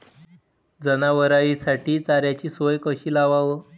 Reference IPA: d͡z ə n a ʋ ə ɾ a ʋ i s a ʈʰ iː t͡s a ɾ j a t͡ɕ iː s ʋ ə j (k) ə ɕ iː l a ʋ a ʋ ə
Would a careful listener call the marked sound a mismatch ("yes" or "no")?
no